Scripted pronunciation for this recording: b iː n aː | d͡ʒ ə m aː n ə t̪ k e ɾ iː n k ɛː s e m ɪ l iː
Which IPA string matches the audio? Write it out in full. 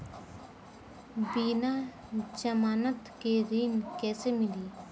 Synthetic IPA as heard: b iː n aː | d͡ʒ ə m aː n ə t̪ k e ɾ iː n k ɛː s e m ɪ l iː